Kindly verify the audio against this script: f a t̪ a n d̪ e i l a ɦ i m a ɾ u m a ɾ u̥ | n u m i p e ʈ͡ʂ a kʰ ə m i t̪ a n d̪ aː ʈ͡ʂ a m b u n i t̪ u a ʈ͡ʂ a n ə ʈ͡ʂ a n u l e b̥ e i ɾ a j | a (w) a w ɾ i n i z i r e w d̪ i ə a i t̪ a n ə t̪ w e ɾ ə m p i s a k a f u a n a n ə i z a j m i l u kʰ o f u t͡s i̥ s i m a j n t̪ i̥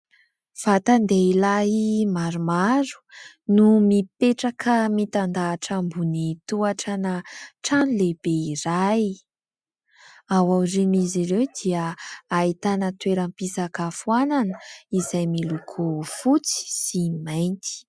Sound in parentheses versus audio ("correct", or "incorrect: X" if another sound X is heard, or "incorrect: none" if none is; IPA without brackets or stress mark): correct